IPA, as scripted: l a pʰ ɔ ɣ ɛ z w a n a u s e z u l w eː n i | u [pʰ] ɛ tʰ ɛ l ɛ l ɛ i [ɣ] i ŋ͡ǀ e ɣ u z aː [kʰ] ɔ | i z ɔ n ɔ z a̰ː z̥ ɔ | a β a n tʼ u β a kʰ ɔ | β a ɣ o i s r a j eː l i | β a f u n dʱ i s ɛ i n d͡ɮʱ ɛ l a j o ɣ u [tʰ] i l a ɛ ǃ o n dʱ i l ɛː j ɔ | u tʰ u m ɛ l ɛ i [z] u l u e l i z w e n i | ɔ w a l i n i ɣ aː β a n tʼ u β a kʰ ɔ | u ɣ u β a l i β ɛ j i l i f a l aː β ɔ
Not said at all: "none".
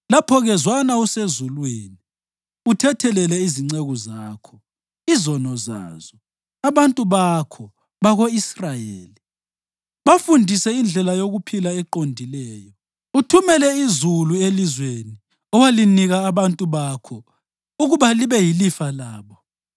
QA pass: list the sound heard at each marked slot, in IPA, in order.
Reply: tʰ, z, kʰ, pʰ, z

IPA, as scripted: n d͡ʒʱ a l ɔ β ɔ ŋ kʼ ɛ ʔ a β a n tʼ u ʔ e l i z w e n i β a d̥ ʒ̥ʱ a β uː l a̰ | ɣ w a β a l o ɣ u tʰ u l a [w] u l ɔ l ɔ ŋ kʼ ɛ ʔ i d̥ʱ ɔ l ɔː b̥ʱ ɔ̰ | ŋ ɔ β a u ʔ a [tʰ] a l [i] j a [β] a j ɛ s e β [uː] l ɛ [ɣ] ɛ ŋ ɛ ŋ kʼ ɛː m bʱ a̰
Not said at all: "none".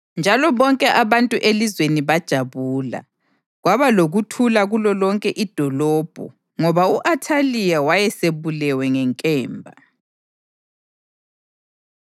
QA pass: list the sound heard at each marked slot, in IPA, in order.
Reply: ɣ, tʰ, i, w, u, w

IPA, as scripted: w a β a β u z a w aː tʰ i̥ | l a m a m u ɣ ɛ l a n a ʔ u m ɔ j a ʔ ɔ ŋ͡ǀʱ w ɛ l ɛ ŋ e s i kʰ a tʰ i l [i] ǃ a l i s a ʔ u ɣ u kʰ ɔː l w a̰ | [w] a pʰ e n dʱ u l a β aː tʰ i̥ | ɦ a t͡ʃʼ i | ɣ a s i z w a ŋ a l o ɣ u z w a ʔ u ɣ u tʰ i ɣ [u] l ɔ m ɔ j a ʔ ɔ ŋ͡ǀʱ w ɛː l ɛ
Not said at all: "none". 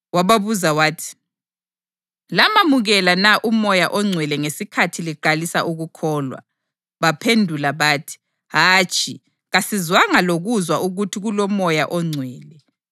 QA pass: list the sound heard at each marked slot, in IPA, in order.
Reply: i, β, u

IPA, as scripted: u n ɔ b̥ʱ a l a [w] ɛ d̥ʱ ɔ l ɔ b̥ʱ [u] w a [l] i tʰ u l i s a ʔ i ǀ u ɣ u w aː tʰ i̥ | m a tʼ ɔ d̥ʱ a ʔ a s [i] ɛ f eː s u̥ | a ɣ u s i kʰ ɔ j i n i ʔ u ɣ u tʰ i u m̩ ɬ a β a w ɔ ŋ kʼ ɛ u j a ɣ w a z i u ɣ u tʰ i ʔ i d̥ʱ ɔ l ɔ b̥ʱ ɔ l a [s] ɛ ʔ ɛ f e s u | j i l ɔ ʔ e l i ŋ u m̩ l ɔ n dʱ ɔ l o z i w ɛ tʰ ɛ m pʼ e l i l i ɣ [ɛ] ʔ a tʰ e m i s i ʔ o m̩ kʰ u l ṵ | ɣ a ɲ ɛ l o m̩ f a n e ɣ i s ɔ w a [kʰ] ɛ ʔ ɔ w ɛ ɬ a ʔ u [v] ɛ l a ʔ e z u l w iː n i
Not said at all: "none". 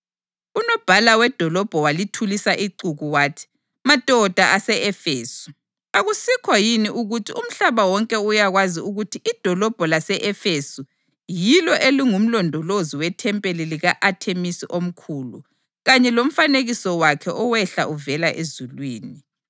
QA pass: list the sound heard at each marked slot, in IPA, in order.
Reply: w, ɔ, l, ɛ, s, a, kʰ, v

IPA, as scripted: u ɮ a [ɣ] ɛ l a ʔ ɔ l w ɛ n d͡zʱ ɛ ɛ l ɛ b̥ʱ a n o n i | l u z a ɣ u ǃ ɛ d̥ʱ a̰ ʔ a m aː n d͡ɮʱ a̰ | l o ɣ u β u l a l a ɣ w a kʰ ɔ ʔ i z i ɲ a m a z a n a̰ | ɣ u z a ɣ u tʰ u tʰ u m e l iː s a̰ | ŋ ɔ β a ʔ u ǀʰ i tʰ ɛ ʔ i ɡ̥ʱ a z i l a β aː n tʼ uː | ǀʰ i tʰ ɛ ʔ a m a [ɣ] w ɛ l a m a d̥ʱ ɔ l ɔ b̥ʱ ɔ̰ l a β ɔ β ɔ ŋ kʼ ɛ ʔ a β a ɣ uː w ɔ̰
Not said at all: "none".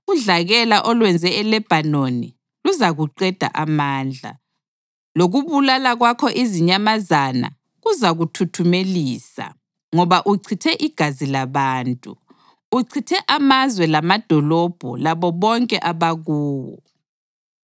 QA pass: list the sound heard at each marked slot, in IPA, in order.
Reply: ɣ, z

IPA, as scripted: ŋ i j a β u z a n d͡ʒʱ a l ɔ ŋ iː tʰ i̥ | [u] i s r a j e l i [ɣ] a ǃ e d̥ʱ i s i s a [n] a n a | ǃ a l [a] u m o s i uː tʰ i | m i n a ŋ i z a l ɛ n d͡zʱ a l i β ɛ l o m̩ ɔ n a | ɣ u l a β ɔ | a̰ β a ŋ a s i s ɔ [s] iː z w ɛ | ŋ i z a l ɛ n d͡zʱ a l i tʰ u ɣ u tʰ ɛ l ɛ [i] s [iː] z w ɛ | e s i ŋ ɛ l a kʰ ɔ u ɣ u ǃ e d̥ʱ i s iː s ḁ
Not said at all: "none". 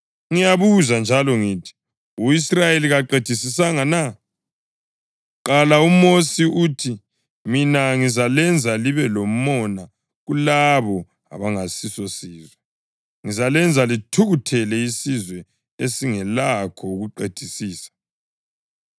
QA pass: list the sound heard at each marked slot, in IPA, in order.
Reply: u, ɣ, ŋ, a, s, i, i

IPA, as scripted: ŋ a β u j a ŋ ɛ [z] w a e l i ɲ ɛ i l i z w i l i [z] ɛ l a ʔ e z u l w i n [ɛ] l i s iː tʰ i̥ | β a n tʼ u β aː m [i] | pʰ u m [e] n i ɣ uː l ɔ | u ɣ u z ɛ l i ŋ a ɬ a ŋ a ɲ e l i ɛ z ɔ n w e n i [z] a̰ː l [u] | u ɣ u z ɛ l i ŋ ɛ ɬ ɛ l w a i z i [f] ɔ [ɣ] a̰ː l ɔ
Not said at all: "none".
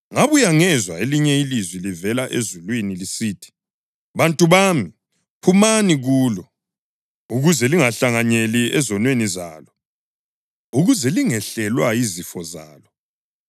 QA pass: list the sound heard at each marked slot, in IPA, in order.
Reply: z, v, i, i, a, z, ɔ, f, z

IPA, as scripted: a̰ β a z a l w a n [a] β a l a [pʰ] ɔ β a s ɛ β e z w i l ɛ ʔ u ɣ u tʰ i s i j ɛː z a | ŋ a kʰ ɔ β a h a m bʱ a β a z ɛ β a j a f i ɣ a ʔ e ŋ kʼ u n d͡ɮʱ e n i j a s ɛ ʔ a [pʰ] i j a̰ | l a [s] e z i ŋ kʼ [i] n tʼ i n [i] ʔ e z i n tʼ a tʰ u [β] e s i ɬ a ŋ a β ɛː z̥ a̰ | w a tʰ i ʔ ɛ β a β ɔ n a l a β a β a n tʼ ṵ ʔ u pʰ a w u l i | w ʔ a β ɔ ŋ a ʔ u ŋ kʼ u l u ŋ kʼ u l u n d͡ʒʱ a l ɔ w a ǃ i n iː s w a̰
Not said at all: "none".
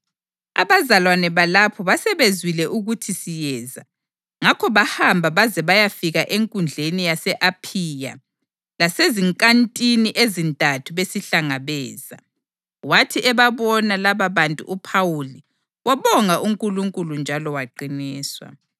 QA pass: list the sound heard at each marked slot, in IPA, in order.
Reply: ɛ, pʰ, pʰ, s, a, i, β

